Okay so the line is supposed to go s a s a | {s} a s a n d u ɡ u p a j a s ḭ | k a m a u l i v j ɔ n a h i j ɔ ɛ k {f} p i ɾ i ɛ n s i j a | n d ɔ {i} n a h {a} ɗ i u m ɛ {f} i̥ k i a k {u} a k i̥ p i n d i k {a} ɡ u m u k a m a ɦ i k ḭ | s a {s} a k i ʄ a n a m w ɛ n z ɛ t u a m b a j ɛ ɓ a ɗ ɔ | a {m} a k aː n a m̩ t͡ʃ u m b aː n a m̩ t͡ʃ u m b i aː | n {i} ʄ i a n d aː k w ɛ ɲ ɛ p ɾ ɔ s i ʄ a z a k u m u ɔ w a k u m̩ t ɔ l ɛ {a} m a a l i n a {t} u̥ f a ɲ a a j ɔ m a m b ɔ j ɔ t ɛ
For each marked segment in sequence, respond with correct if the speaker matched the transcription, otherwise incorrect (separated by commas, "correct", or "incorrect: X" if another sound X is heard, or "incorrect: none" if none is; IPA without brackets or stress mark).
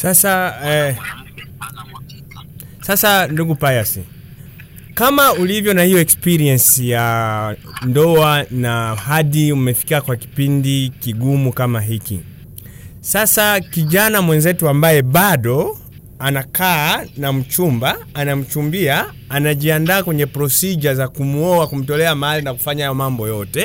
correct, incorrect: s, incorrect: a, correct, correct, incorrect: w, incorrect: i, correct, incorrect: n, incorrect: a, correct, incorrect: k